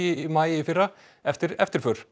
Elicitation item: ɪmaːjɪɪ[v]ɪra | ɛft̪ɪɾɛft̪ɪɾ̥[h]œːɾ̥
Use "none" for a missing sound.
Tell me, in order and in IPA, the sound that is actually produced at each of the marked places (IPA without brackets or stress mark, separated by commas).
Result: f, f